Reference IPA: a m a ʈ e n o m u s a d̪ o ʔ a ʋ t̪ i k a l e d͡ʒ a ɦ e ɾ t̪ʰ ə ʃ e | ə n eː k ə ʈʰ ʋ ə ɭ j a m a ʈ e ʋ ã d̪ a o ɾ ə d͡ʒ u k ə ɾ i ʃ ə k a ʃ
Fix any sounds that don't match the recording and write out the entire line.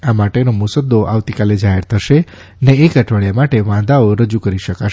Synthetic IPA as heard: a m a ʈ e n o m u s ə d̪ o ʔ a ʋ t̪ i k a l e d͡ʒ a ɦ e ɾ t̪ʰ ə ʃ e | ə n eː k ə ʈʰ ʋ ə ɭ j a m a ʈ e ʋ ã d̪ a o ɾ ə d͡ʒ u k ə ɾ i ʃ ə k a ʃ